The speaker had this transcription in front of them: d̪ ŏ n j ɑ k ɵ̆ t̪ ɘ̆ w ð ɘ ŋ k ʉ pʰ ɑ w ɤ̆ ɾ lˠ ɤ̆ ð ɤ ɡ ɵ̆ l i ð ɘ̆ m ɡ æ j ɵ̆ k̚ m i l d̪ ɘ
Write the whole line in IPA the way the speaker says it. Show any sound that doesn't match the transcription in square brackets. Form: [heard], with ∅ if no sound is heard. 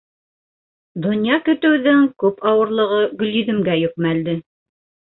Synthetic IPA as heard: d̪ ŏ n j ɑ k ɵ̆ t̪ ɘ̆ w ð ɘ ŋ k ʉ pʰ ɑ w ɤ̆ ɾ lˠ ɤ̆ [ʁ] ɤ ɡ ɵ̆ l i ð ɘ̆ m ɡ æ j ɵ̆ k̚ m [æ] l d̪ ɘ